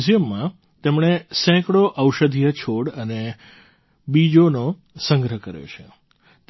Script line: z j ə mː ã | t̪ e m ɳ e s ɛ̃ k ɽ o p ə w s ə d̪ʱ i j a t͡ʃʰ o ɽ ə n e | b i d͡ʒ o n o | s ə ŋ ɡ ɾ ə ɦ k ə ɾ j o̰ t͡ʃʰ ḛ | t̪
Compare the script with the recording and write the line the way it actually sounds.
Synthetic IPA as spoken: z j ə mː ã | t̪ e m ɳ e s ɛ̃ k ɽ o ʔ ə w ʃ ə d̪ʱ i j ə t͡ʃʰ o ɽ ə n e | b i d͡ʒ o n o | s ə ŋ ɡ ɾ ə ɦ k ə ɾ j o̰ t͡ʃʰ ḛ | t̪